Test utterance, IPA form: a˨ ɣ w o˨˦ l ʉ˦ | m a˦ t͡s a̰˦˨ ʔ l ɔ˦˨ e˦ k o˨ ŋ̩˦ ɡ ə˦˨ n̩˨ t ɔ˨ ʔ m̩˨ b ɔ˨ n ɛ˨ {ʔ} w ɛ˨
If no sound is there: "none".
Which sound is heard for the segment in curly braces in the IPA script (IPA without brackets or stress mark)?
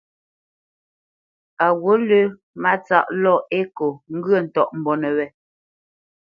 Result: none